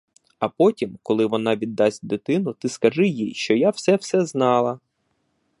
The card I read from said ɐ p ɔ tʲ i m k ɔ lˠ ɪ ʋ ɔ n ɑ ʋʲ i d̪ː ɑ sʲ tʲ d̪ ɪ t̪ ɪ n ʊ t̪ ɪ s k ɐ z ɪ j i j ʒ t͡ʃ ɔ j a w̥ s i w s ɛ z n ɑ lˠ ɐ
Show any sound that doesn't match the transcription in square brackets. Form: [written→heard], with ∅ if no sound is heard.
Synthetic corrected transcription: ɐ p ɔ tʲ i m k ɔ lˠ ɪ ʋ ɔ n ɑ ʋʲ i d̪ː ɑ sʲ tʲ d̪ ɪ t̪ ɪ n ʊ t̪ ɪ s k ɐ [z→ʒ] ɪ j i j [ʒ→ʃ] t͡ʃ ɔ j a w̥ s [i→ɛ] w s ɛ z n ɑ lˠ ɐ